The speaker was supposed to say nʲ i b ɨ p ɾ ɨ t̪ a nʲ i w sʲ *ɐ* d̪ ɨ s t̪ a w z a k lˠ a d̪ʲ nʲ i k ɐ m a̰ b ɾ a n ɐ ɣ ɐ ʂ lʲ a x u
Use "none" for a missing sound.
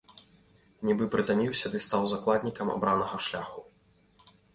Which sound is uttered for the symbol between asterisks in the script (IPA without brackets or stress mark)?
ɐ